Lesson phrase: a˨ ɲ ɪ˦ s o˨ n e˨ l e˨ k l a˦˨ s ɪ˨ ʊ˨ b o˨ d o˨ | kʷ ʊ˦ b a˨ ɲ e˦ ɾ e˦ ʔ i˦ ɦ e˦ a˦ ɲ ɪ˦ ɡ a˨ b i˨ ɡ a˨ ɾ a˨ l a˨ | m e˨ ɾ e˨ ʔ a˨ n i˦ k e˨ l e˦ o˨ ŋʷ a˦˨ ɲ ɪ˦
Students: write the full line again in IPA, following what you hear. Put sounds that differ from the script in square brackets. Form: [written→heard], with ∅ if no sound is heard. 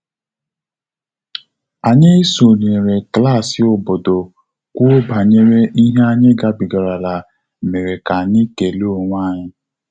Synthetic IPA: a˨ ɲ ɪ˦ s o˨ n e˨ [l→ɾ] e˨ k l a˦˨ s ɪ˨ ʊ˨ b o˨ d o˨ | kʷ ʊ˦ b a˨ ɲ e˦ ɾ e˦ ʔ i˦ ɦ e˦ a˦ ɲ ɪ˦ ɡ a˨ b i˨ ɡ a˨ ɾ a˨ l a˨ | m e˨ ɾ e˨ [ʔ→k] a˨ n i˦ k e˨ l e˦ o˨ ŋʷ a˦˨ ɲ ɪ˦